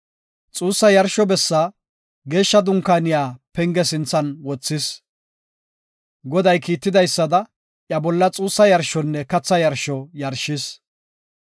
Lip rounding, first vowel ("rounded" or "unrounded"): rounded